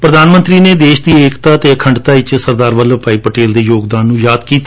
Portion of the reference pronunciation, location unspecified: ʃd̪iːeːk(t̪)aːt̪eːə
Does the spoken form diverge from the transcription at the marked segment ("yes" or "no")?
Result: no